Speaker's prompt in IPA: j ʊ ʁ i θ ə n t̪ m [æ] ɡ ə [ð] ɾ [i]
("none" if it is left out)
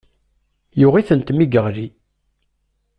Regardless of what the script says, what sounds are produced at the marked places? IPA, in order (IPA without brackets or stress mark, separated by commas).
i, ʁ, i